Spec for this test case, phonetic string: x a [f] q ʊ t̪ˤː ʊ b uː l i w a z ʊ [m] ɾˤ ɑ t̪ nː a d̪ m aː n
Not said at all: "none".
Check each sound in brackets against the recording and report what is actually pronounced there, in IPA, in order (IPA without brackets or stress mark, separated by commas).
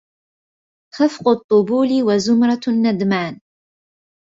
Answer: f, m